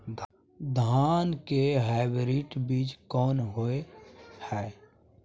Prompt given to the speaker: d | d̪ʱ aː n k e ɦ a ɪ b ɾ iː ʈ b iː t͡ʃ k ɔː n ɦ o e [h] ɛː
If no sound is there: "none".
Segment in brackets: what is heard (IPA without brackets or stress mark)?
h